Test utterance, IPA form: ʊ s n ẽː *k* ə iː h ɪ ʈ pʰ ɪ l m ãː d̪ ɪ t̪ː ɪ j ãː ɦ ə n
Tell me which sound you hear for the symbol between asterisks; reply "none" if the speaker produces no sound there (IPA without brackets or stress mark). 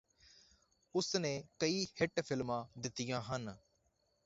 k